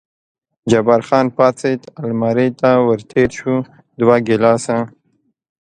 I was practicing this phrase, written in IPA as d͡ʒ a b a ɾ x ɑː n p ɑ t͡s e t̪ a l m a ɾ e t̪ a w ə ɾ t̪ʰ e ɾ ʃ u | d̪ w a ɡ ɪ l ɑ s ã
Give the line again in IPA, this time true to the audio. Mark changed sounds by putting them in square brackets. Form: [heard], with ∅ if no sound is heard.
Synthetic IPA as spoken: d͡ʒ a b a ɾ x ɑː n p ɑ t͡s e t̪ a l m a ɾ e t̪ a w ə ɾ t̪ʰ e ɾ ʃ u | d̪ w a ɡ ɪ l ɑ s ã